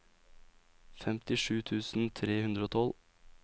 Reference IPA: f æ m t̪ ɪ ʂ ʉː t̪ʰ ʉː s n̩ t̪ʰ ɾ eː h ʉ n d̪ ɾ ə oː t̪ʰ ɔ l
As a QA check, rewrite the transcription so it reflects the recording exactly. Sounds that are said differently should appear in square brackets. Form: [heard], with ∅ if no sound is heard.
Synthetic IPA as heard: f [ɛ] m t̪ ɪ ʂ ʉː t̪ʰ ʉː s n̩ t̪ʰ ɾ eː h ʉ n d̪ ɾ ə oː t̪ʰ ɔ l